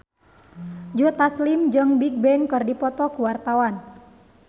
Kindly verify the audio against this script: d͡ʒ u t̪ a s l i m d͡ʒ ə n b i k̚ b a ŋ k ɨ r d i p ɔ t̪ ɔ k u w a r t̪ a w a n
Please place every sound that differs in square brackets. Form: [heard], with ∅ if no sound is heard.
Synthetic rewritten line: d͡ʒ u t̪ a s l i m d͡ʒ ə [ŋ] b i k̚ b [ɛ] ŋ k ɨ r d i p ɔ t̪ ɔ k u w a r t̪ a w a n